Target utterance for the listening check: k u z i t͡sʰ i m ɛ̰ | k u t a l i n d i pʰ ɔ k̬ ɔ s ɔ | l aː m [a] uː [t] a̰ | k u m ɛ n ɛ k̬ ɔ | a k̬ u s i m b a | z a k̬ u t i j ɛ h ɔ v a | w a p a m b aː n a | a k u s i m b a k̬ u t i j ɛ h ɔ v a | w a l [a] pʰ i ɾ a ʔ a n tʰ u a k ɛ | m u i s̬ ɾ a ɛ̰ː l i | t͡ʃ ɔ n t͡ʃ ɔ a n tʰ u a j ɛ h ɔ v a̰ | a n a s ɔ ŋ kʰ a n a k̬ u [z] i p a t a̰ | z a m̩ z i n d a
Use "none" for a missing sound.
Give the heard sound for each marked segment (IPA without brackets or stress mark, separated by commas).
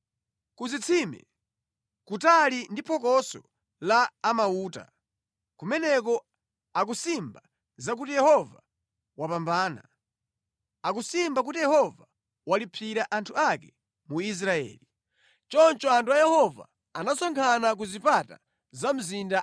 a, t, i, z